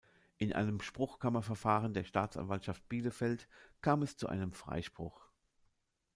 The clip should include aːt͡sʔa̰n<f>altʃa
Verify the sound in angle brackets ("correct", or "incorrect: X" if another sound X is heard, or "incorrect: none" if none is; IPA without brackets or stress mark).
incorrect: v